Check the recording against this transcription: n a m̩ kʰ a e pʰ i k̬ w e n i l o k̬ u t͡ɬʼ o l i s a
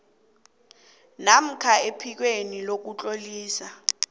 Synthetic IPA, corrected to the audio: n a m̩ kʰ a e pʰ i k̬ w e n i l o k̬ u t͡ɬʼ o l iː s a